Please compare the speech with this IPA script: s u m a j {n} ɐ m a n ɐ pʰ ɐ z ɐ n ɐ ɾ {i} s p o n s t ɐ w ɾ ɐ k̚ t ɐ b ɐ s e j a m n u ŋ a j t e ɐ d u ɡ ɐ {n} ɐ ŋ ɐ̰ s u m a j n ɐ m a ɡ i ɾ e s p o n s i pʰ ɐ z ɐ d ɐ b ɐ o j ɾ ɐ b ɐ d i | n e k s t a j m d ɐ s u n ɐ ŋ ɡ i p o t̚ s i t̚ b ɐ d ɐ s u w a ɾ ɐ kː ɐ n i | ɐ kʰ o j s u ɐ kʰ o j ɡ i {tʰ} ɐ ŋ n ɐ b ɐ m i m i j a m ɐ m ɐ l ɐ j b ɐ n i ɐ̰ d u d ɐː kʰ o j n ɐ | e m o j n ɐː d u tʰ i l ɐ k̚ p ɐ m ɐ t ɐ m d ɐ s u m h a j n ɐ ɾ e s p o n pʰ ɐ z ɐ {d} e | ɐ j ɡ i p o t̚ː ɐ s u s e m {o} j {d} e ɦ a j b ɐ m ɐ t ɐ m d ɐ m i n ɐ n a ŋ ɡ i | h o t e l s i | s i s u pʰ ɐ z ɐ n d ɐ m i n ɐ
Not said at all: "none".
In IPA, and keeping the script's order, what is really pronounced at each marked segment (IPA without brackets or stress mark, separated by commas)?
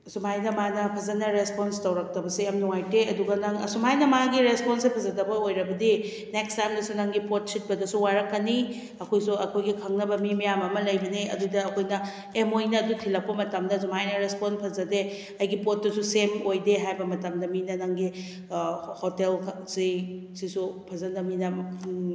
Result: n, e, n, kʰ, d, o, d